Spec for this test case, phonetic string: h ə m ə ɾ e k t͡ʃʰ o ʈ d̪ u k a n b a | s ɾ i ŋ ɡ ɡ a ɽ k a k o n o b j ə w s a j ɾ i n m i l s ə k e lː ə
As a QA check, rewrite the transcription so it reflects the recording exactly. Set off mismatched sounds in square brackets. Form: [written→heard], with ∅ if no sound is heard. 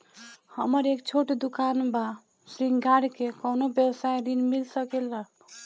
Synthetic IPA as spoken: h ə m ə ɾ e k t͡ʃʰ o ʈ d̪ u k a n b a | s ɾ i ŋ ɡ ɡ a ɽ k [a→e] k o n o b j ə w s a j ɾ i n m i l s ə k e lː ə